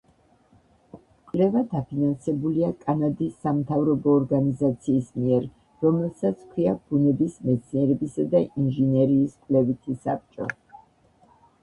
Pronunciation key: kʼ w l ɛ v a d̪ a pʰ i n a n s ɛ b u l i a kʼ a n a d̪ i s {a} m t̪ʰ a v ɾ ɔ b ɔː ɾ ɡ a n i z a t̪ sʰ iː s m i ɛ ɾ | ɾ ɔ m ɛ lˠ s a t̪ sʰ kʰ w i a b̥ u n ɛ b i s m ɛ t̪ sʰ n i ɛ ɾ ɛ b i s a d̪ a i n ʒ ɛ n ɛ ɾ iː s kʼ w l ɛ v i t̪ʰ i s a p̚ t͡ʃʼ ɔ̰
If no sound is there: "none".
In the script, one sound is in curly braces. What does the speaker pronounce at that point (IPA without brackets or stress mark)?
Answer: a